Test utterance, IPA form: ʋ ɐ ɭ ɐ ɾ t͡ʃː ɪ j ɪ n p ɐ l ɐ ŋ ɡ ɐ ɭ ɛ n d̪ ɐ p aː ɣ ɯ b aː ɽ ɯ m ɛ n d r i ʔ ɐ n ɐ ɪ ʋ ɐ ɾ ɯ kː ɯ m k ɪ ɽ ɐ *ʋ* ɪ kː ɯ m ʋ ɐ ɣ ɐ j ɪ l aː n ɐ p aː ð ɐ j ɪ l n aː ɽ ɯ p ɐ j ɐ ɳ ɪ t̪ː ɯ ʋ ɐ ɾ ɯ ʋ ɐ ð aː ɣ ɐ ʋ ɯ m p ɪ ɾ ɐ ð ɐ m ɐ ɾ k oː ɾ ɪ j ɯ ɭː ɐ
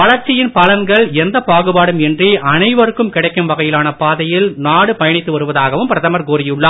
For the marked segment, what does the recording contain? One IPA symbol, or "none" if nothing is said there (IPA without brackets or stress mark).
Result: none